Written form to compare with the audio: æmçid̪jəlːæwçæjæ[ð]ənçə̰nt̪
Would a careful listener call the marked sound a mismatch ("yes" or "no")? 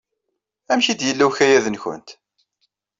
no